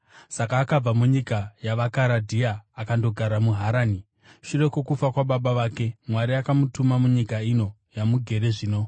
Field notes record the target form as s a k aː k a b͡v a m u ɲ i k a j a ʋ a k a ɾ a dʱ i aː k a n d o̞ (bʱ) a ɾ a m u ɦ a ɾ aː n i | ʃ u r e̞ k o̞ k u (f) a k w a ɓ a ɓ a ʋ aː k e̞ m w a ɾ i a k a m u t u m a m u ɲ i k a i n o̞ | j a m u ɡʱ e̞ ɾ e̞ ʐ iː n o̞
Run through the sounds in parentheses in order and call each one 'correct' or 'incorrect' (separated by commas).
incorrect, correct